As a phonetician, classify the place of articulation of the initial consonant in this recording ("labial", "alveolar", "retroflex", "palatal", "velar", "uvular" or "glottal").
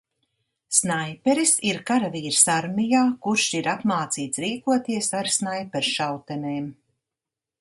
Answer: alveolar